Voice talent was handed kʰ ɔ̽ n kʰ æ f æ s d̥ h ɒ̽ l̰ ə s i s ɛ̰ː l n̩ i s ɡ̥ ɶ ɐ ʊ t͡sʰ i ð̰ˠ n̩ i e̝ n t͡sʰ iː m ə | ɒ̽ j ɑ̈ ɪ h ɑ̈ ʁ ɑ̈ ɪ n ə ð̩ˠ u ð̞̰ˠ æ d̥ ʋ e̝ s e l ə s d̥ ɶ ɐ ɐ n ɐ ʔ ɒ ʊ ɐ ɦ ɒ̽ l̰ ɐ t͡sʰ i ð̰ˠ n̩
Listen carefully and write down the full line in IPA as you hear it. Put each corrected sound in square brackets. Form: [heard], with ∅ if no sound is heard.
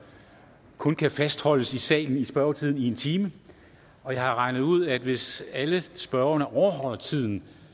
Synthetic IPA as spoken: kʰ ɔ̽ n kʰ æ f æ s d̥ h ɒ̽ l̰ ə s i s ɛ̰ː l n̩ i s [b̥] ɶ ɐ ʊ t͡sʰ i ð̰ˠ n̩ i e̝ n t͡sʰ iː m ə | ɒ̽ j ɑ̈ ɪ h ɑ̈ ʁ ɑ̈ ɪ n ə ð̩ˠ u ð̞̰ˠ æ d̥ ʋ e̝ s [æ] l ə s [b̥] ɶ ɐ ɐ n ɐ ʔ ɒ ʊ ɐ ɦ ɒ̽ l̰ ɐ t͡sʰ i ð̰ˠ n̩